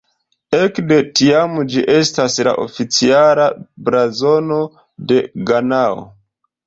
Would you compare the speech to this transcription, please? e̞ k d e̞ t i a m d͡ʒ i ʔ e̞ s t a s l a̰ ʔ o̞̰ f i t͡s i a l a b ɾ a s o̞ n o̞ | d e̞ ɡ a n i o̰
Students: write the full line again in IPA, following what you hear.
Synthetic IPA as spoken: e̞ k d e̞ t i a m d͡ʒ i ʔ e̞ s t a s l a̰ ʔ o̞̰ f i t͡s i a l a b ɾ a z o̞ n o̞ | d e̞ ɡ a n a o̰